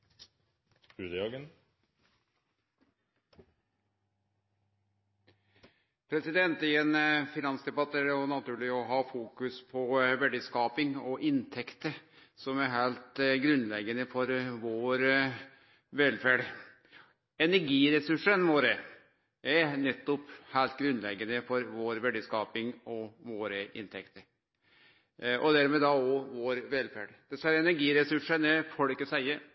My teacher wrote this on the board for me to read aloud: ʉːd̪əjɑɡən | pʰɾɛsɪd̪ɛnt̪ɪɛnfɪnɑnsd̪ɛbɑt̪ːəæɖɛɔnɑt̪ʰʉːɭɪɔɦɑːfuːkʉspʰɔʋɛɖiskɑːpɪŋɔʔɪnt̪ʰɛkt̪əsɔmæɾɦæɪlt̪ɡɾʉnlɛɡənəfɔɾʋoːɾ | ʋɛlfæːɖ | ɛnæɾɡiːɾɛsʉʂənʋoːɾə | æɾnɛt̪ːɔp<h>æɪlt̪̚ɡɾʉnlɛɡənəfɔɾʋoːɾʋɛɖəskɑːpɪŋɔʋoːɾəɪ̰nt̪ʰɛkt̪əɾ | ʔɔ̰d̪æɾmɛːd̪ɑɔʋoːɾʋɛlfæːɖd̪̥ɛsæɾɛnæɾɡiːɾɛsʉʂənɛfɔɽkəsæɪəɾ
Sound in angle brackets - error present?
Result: no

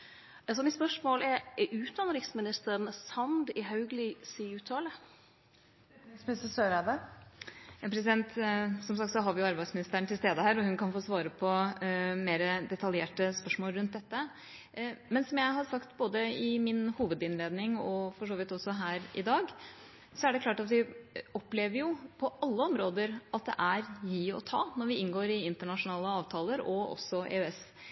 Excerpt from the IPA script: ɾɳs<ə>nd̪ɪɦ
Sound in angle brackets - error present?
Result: yes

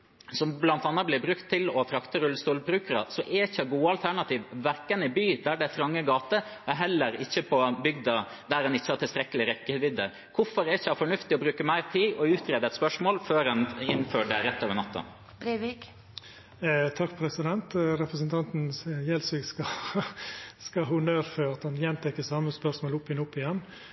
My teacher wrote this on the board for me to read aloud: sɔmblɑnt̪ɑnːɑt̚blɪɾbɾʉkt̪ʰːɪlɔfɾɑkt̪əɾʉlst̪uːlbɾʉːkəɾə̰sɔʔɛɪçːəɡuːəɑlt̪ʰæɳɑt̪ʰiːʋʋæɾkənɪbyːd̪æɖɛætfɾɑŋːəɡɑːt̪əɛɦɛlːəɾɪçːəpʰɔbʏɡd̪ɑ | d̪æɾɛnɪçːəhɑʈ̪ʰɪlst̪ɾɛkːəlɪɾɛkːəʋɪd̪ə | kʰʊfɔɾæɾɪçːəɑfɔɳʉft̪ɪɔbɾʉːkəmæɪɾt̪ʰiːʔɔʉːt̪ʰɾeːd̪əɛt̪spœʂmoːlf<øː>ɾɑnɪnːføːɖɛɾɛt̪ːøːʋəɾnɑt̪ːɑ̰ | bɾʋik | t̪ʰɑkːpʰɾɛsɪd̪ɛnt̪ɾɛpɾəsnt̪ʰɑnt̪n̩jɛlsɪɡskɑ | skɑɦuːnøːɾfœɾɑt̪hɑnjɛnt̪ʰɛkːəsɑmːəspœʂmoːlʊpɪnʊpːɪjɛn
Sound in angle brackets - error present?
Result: no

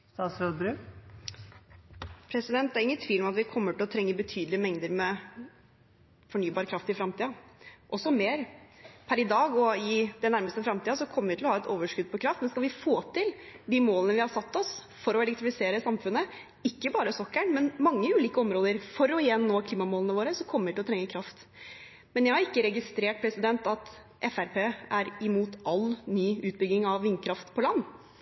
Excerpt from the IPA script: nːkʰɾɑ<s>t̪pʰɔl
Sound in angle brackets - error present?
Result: yes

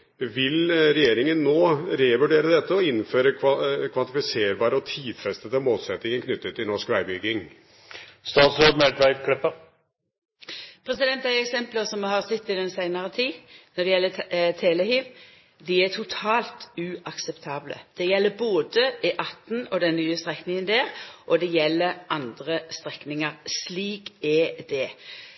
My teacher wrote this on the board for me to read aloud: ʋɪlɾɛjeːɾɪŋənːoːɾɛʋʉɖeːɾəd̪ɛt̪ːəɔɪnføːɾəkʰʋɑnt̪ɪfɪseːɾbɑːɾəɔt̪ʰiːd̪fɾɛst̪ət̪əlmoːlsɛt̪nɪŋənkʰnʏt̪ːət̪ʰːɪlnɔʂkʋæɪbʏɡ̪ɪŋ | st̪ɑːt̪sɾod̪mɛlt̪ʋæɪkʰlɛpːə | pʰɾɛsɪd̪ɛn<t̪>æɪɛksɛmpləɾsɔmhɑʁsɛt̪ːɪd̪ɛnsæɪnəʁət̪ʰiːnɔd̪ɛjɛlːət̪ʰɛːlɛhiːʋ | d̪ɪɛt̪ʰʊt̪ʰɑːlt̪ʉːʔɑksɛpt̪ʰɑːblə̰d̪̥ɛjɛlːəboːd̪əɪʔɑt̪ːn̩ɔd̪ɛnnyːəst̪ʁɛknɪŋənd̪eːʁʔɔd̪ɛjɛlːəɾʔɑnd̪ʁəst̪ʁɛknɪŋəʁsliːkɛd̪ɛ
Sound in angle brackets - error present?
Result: no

